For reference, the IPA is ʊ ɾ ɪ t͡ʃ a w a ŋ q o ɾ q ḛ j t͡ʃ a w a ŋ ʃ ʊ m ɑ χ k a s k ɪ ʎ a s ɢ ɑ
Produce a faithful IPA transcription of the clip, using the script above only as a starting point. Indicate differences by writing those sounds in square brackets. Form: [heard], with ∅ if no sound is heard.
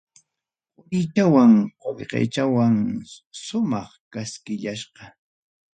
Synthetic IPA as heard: ʊ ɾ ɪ t͡ʃ a w a ŋ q o [ʎ] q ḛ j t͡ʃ a w a ŋ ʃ ʊ m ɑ χ k a s k ɪ ʎ a [ʃ] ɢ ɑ